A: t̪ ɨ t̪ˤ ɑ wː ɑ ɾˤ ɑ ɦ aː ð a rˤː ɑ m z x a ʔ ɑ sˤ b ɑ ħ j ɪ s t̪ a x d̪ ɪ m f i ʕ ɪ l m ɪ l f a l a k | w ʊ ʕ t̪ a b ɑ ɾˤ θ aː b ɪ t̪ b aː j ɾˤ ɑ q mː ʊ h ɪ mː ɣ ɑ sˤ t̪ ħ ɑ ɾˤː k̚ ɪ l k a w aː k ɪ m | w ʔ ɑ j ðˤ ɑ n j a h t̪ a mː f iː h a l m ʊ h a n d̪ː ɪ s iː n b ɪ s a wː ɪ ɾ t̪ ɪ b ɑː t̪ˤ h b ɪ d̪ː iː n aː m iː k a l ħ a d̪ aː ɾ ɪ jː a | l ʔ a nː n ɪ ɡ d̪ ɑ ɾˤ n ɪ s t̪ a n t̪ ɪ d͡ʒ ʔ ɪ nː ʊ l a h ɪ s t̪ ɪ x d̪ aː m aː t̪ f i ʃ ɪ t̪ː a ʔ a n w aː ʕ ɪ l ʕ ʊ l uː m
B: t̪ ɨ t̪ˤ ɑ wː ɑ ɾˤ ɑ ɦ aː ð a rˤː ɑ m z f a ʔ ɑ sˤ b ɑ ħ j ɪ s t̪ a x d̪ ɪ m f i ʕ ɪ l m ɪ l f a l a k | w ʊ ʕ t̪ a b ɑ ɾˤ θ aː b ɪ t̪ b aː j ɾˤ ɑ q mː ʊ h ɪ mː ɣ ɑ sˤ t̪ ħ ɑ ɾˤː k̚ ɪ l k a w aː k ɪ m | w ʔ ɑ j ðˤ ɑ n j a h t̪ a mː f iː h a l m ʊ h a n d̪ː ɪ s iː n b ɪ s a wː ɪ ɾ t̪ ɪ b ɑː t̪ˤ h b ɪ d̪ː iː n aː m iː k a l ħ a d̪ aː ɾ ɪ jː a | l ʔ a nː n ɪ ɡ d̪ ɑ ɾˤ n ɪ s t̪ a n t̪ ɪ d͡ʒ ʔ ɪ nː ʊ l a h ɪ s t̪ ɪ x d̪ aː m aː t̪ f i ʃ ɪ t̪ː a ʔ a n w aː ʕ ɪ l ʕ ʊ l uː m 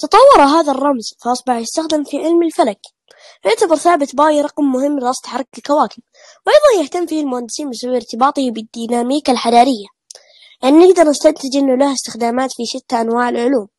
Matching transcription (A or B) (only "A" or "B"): B